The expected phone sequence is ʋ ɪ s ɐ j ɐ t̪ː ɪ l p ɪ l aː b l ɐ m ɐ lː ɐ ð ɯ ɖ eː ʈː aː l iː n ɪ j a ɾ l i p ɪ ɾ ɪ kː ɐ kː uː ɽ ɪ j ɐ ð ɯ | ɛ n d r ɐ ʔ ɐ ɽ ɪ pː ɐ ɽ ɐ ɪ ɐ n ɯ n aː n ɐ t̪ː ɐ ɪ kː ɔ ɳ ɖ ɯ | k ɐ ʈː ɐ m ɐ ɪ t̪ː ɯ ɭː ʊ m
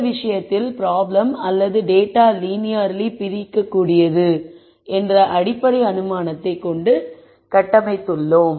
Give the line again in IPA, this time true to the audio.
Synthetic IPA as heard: ʋ ɪ ʂ ɐ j ɐ t̪ː ɪ l p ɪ ɾ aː b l ɐ m ɐ lː ɐ ð ɯ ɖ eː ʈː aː l iː n ɪ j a ɾ l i p ɪ ɾ ɪ kː ɐ kː uː ɽ ɪ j ɐ ð ɯ | ɛ n d r ɐ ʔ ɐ ɽ ɪ pː ɐ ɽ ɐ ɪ ɐ n ɯ m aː n ɐ t̪ː ɐ ɪ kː ɔ ɳ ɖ ɯ | k ɐ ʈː ɐ m ɐ ɪ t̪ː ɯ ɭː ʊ m